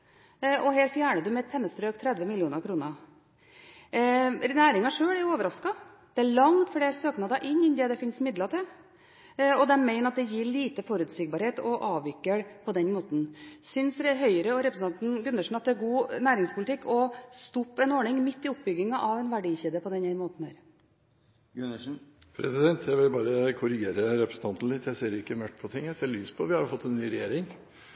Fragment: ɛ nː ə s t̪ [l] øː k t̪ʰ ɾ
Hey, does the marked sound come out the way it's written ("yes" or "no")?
no